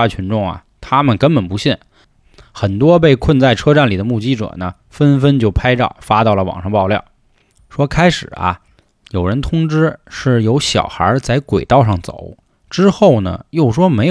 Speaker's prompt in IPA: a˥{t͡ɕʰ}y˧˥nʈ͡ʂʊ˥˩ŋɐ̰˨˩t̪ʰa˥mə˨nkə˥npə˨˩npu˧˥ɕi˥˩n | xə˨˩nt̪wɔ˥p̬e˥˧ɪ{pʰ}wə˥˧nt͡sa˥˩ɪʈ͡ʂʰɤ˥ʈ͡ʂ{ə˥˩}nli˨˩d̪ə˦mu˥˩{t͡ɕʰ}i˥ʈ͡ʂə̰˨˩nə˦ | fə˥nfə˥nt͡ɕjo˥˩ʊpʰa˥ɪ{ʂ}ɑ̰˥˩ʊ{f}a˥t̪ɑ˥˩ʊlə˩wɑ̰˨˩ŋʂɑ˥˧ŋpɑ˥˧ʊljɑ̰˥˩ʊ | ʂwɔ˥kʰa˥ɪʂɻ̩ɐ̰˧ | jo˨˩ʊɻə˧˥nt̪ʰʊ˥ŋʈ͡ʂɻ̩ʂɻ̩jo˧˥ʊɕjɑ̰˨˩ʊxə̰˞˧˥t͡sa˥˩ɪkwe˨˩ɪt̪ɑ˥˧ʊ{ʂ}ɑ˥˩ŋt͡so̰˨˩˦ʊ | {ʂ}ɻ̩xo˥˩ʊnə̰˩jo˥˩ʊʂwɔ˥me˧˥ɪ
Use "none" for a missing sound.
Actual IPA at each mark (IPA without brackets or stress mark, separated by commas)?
t͡ɕʰ, kʰ, a˥˩, t͡ɕ, ʈ͡ʂ, f, ʂ, ʈ͡ʂ